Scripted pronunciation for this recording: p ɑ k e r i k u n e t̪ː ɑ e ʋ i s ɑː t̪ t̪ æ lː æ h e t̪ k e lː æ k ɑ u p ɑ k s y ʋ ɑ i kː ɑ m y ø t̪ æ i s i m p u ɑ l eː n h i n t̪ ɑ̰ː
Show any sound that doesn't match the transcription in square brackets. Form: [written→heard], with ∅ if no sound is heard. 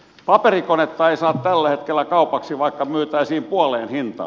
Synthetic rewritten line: p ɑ [k→p] e r i k [u→o] n e t̪ː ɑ e [ʋ→∅] i s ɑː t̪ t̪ æ lː æ h e t̪ k e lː æ k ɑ u p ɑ k s [y→i] ʋ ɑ i kː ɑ m y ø t̪ æ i s [i→iː] m p u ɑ l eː n h i n t̪ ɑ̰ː